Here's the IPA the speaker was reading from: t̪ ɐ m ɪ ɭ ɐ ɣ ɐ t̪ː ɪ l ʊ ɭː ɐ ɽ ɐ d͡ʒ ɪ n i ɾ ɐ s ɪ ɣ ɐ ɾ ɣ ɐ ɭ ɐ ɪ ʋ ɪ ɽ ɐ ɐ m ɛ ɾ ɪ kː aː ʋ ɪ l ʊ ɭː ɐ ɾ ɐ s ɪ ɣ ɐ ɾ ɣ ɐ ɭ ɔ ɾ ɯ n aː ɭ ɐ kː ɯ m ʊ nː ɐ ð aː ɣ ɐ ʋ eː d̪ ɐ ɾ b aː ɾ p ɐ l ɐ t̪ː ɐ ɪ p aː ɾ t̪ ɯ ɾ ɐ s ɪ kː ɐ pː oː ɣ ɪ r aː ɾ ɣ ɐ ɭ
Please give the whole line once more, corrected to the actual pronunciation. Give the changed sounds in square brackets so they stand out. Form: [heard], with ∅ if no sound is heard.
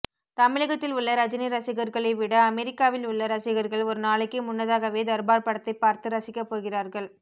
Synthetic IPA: t̪ ɐ m ɪ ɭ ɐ ɣ ɐ t̪ː ɪ l ʊ ɭː ɐ [ɾ] ɐ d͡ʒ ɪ n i ɾ ɐ s ɪ ɣ ɐ ɾ ɣ ɐ ɭ ɐ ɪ ʋ ɪ ɽ ɐ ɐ m ɛ ɾ ɪ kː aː ʋ ɪ l ʊ ɭː ɐ ɾ ɐ s ɪ ɣ ɐ ɾ ɣ ɐ ɭ ɔ ɾ ɯ n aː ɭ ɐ kː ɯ m ʊ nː ɐ ð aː ɣ ɐ ʋ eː d̪ ɐ ɾ b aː ɾ p ɐ [ɽ] ɐ t̪ː ɐ ɪ p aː ɾ t̪ ɯ ɾ ɐ s ɪ kː ɐ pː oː ɣ ɪ r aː ɾ ɣ ɐ ɭ